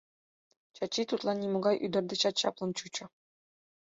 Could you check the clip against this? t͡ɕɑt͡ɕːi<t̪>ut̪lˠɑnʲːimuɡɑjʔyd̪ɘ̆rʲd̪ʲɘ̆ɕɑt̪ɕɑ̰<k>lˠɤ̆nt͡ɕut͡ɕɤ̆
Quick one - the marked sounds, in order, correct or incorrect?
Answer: correct, incorrect

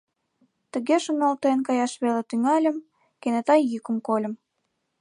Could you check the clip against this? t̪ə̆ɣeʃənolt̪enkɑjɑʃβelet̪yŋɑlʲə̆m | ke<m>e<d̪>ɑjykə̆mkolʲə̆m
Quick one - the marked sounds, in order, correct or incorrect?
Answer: incorrect, incorrect

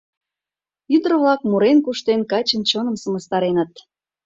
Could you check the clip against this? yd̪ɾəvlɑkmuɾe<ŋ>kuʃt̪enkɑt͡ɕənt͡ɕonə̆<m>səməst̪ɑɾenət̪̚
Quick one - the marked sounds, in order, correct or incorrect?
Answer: incorrect, correct

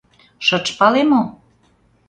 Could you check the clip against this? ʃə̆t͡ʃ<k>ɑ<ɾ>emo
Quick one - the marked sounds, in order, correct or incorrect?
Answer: incorrect, incorrect

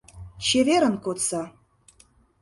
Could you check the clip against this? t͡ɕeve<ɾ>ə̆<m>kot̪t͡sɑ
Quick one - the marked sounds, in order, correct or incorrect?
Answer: correct, incorrect

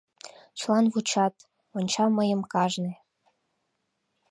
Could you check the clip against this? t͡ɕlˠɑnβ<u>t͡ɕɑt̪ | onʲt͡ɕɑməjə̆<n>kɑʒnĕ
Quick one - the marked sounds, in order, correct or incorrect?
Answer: correct, incorrect

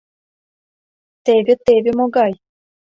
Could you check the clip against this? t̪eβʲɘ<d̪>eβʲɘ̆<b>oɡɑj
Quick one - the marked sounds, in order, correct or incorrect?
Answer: incorrect, incorrect

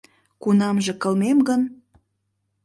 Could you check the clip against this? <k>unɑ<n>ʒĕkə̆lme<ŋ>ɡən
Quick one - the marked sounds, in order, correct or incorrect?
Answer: correct, incorrect, incorrect

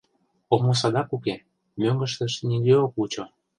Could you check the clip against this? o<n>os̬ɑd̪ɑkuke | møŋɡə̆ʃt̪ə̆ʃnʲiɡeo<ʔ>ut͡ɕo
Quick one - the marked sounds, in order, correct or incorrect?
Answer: incorrect, incorrect

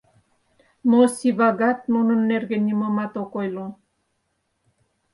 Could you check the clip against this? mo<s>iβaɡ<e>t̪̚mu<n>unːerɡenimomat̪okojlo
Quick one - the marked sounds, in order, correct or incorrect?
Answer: correct, incorrect, correct

